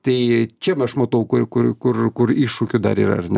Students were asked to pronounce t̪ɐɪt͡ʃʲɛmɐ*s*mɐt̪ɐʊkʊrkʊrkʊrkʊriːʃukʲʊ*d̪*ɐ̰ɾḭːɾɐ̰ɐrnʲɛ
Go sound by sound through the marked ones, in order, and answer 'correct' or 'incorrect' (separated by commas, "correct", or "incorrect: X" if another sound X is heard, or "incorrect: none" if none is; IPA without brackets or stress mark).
incorrect: ʃ, correct